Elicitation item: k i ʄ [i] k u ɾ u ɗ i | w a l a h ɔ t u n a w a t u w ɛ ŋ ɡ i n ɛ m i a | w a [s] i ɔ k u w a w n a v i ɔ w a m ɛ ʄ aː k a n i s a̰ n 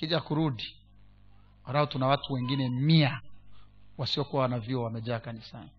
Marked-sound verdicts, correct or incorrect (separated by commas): incorrect, correct